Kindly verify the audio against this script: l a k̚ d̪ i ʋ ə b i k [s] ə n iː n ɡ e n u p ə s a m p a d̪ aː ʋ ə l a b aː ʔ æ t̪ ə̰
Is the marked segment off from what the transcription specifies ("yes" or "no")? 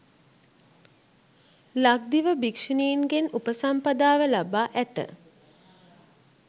yes